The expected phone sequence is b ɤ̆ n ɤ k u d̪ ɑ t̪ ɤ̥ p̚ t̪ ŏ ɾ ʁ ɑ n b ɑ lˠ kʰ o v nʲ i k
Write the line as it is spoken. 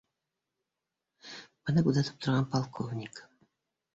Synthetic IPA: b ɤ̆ n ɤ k u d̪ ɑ t̪ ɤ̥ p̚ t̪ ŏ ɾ ʁ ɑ n p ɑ lˠ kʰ o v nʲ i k